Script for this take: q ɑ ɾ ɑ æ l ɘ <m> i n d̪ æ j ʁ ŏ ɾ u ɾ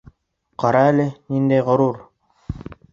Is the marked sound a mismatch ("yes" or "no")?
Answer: yes